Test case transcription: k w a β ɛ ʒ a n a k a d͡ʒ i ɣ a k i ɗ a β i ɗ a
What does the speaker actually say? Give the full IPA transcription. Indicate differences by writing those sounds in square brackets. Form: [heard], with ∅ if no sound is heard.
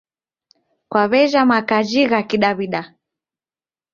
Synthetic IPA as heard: k w a β ɛ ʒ a [m] a k a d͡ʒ i ɣ a k i ɗ a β i ɗ a